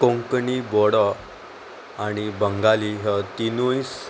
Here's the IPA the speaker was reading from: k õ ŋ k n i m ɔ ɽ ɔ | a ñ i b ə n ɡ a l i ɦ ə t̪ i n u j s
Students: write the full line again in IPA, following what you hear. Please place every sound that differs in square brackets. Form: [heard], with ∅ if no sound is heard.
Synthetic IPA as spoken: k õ ŋ k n i [b] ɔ ɽ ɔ | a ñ i b ə [ŋ] ɡ a l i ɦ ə t̪ i n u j s